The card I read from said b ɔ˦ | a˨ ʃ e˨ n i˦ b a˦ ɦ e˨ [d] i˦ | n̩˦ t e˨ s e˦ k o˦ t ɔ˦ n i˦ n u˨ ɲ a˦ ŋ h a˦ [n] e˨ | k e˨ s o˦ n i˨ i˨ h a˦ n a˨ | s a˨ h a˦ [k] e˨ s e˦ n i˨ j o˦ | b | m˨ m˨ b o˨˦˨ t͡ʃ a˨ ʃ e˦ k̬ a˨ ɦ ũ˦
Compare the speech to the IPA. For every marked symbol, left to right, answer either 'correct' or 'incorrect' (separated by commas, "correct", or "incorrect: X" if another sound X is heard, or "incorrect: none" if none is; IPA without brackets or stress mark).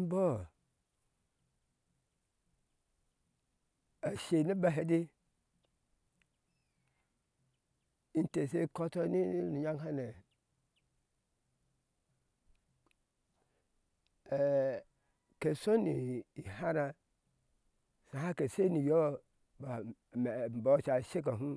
correct, correct, correct